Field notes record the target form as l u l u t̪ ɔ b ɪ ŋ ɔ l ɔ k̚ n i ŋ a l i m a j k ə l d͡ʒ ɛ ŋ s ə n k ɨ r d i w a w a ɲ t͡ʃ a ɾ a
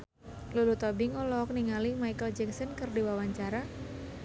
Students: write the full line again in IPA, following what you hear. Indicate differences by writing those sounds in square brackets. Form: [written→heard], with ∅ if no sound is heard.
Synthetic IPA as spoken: l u l u t̪ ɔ b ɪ ŋ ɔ l ɔ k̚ n i ŋ a l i m a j k ə l d͡ʒ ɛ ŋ s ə n k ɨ r d i w a w a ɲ t͡ʃ a ɾ a